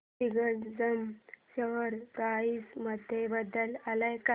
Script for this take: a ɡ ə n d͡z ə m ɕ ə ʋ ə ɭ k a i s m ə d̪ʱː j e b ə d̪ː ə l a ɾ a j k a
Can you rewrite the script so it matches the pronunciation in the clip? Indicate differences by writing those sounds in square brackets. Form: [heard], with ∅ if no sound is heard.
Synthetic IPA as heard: [i] ɡ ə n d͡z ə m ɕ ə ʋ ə [ɾ] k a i s m ə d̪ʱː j e b ə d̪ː ə l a [l] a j k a